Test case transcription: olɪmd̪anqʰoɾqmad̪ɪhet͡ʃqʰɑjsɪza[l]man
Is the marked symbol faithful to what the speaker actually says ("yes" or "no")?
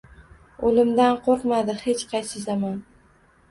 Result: no